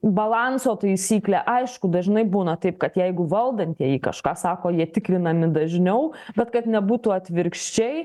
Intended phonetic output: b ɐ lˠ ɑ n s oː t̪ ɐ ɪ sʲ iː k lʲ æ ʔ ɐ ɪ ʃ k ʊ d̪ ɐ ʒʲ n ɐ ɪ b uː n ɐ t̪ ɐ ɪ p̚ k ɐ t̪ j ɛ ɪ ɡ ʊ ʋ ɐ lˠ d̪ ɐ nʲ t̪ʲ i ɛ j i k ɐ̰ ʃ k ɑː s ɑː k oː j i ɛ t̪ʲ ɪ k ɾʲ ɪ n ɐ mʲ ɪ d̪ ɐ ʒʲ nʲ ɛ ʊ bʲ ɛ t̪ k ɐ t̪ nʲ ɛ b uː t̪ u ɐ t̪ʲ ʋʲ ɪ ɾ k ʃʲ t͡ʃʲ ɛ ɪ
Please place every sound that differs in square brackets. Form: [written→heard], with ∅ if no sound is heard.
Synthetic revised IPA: b ɐ lˠ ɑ n s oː t̪ ɐ ɪ sʲ iː k lʲ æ ʔ ɐ ɪ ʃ k ʊ d̪ ɐ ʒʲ n ɐ ɪ b uː n ɐ t̪ ɐ ɪ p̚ k ɐ t̪ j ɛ ɪ ɡ ʊ ʋ ɐ lˠ d̪ ɐ nʲ t̪ʲ i ɛ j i k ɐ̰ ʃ k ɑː s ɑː k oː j i ɛ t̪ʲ ɪ k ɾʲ ɪ n ɐ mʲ ɪ d̪ ɐ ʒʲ nʲ ɛ ʊ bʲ ɛ t̪ k ɐ t̪ nʲ ɛ b uː t̪ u ɐ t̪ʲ ʋʲ ɪ ɾ k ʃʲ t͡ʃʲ ɛ ɪ